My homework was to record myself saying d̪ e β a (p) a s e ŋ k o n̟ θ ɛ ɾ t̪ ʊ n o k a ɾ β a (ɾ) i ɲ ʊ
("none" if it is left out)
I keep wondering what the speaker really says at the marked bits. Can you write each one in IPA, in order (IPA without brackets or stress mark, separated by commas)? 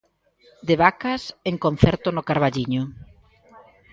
k, ʎ